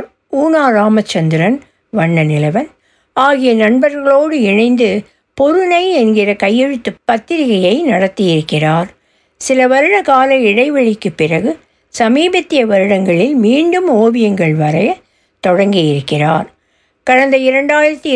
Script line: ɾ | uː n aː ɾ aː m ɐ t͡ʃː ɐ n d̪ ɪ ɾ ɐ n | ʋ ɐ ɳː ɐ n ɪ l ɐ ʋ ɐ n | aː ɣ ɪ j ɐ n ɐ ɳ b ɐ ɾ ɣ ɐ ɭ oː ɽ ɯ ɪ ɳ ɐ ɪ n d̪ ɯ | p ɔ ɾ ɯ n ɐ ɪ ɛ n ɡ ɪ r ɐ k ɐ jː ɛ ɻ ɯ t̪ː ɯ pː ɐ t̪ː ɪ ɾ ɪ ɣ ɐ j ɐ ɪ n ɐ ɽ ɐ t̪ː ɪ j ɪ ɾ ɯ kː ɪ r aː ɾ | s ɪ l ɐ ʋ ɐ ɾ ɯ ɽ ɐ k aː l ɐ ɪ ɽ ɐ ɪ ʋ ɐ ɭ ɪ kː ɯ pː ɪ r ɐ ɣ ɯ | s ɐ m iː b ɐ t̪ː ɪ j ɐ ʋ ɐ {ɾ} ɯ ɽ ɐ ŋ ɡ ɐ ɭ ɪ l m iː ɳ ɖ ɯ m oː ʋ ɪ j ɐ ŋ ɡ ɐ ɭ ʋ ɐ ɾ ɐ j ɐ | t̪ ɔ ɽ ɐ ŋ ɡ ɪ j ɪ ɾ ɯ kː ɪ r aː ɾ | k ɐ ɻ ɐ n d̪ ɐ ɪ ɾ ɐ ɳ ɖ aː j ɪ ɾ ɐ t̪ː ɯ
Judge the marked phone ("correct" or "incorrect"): correct